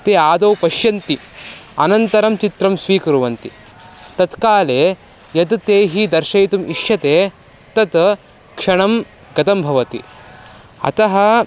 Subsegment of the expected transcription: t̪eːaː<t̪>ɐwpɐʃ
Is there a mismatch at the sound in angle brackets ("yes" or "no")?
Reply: yes